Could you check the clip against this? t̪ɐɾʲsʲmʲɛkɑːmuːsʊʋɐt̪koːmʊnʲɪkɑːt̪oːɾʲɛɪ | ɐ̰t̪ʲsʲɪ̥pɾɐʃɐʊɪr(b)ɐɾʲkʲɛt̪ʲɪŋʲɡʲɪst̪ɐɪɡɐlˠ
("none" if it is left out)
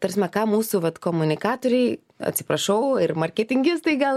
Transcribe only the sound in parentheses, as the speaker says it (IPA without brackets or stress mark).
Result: m